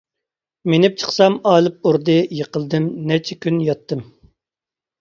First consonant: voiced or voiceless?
voiced